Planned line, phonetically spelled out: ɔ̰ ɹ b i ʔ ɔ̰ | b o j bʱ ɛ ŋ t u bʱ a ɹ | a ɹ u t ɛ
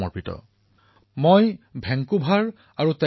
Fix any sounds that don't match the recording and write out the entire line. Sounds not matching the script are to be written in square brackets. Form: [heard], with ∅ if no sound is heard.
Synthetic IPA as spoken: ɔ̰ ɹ [p] i [t] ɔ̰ | [m] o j bʱ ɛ ŋ [k] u bʱ a ɹ | a ɹ u t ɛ